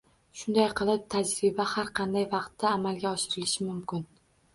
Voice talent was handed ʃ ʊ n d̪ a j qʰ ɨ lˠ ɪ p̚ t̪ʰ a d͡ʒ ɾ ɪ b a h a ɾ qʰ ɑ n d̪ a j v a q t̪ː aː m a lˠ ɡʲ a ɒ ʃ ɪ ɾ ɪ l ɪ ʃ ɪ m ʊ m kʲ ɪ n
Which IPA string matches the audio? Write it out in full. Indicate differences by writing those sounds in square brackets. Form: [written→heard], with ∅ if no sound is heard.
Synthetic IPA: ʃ ʊ n d̪ a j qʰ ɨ lˠ ɪ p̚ t̪ʰ a d͡ʒ ɾ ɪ b a h a ɾ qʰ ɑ n d̪ a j v [a→ɑ] q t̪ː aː m a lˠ ɡʲ a ɒ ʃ ɪ ɾ ɪ l ɪ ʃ ɪ m ʊ m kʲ ɪ n